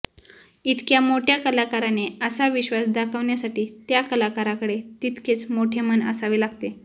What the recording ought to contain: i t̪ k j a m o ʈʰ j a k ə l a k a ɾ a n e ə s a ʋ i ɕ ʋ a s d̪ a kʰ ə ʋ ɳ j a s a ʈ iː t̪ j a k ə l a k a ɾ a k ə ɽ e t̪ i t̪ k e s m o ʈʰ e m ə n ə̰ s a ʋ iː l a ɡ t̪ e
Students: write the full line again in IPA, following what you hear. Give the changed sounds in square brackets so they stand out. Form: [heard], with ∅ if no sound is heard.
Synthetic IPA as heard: i t̪ k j a m o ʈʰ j a k ə l a k a ɾ a n e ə s a ʋ i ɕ ʋ a s d̪ a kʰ ə ʋ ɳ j a s a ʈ iː t̪ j a k ə l a k a ɾ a k ə ɽ e t̪ i t̪ k e [t͡s] m o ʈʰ e m ə n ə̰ s a ʋ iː l a ɡ t̪ e